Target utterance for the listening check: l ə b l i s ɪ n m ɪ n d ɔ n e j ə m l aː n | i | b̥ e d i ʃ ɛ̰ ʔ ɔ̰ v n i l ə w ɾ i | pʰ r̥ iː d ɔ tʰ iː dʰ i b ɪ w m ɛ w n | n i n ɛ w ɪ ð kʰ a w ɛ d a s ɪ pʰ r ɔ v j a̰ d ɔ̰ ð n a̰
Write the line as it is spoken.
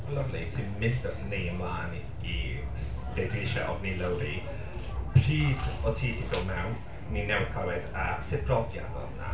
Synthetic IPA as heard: l ə v l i s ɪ n m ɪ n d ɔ n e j ə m l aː n | i | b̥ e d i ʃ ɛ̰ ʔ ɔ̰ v n i l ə w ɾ i | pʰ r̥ iː d ɔ tʰ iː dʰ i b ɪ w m ɛ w n | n i n ɛ w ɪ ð kʰ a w ɛ d a s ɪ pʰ r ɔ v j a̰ d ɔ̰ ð n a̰